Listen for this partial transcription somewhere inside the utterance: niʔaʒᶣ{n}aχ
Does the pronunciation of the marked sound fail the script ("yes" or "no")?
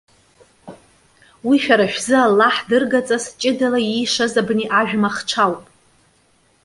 yes